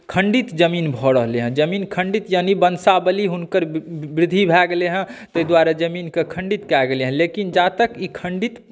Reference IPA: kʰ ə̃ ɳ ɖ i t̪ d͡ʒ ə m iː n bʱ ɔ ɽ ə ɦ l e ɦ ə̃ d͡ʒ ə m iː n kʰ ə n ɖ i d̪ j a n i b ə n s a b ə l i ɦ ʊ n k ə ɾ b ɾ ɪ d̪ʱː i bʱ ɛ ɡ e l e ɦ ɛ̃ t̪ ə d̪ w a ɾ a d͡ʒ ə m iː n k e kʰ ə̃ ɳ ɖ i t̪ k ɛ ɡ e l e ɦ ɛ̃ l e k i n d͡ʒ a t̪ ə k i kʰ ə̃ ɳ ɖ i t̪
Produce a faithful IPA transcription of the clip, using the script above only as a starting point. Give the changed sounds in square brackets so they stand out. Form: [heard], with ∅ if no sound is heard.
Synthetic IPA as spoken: kʰ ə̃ ɳ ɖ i t̪ d͡ʒ ə m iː n bʱ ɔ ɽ ə ɦ l e ɦ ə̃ d͡ʒ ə m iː n kʰ ə [ɳ] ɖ i [t̪] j a n i b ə n s a b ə l i ɦ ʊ n k ə ɾ b ɾ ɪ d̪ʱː i bʱ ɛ ɡ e l e ɦ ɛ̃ t̪ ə d̪ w a ɾ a d͡ʒ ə m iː n k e kʰ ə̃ ɳ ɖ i t̪ k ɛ ɡ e l e ɦ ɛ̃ l e k i n d͡ʒ a t̪ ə k i kʰ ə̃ ɳ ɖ i t̪